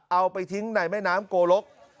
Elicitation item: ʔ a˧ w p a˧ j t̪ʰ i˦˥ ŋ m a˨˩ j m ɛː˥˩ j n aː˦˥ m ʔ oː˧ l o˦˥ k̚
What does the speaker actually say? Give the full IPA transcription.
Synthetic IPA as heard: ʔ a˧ w p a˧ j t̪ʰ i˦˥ ŋ n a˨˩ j m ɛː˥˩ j n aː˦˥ m k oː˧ l o˦˥ k̚

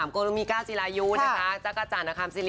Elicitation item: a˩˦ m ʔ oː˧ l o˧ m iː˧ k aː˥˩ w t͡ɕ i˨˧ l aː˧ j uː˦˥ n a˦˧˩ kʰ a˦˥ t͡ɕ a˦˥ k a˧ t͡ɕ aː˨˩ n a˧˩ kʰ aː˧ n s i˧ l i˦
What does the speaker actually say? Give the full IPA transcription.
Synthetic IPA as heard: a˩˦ m k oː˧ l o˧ m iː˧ k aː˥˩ w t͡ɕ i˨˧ l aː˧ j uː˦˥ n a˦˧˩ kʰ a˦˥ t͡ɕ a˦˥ k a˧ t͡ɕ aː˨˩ n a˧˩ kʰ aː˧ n s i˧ l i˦

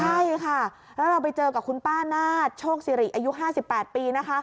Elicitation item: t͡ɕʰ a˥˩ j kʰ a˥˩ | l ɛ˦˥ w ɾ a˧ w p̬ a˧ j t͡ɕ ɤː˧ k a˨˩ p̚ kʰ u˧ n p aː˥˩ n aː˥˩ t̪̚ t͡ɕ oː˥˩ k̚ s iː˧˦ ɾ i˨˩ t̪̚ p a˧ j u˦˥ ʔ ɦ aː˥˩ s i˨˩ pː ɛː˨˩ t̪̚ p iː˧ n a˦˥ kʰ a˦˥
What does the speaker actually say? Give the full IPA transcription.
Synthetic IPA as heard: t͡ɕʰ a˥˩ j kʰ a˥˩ | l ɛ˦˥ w ɾ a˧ w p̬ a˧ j t͡ɕ ɤː˧ k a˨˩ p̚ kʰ u˧ n p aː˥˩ n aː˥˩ t̪̚ t͡ɕʰ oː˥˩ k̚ s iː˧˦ ɾ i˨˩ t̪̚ ʔ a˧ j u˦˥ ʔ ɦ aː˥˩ s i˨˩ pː ɛː˨˩ t̪̚ p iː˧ n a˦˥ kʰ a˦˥

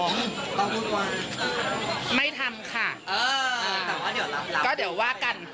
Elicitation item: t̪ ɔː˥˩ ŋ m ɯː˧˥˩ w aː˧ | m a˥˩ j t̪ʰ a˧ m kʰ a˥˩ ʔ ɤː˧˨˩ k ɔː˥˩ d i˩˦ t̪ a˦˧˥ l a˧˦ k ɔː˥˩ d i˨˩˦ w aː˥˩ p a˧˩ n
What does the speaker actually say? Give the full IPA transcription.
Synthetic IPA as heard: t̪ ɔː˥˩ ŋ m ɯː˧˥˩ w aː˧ | m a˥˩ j t̪ʰ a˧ m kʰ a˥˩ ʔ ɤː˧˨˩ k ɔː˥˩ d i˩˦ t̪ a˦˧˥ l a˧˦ k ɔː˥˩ d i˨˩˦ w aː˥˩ k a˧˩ n

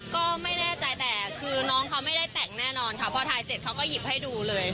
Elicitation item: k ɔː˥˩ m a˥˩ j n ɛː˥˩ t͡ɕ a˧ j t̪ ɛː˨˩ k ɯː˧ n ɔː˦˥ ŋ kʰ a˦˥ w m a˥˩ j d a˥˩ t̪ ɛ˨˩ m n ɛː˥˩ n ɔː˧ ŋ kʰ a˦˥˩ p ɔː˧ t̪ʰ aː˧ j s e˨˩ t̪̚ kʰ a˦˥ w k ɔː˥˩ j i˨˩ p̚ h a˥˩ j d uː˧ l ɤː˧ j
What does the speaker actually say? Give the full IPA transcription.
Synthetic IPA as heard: k ɔː˥˩ m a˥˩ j n ɛː˥˩ t͡ɕ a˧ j t̪ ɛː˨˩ kʰ ɯː˧ n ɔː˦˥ ŋ kʰ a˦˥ w m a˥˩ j d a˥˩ t̪ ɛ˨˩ ŋ n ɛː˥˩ n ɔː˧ n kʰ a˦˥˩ pʰ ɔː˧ t̪ʰ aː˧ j s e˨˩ t̪̚ kʰ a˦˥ w k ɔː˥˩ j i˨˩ p̚ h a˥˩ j d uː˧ l ɤː˧ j

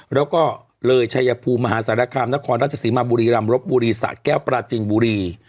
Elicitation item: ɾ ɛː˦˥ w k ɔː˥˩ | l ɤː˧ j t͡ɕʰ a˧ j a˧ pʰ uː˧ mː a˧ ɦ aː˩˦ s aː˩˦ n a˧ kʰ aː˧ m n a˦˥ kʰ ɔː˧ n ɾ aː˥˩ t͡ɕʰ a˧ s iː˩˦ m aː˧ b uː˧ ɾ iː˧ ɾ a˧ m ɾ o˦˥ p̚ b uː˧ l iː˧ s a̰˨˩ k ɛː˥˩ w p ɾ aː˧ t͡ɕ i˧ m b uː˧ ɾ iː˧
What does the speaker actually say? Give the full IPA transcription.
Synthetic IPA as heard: ɾ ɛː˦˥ w k ɔː˥˩ | l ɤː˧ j t͡ɕʰ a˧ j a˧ pʰ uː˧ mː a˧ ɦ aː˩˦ s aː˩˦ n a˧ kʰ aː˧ m n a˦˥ kʰ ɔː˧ n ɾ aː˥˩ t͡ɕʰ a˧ s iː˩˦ m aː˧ b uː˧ ɾ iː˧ ɾ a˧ m ɾ o˦˥ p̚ b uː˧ ɾ iː˧ s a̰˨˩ k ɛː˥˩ w p ɾ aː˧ t͡ɕ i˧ ŋ b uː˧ ɾ iː˧

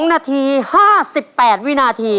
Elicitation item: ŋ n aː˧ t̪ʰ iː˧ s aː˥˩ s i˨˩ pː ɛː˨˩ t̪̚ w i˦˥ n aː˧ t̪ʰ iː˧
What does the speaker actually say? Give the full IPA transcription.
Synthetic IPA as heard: ŋ n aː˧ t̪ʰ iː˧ h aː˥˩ s i˨˩ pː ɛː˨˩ t̪̚ w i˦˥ n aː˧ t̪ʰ iː˧

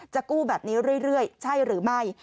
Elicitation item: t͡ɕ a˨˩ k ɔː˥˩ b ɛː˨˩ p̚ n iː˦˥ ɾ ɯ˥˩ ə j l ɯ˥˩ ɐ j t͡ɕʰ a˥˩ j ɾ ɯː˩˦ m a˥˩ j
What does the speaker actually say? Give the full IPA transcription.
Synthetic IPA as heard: t͡ɕ a˨˩ k uː˥˩ b ɛː˨˩ p̚ n iː˦˥ ɾ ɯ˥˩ ə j ɾ ɯ˥˩ ə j t͡ɕʰ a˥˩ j ɾ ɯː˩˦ m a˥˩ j

